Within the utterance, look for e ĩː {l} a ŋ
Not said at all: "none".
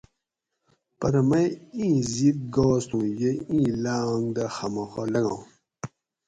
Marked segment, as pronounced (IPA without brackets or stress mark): l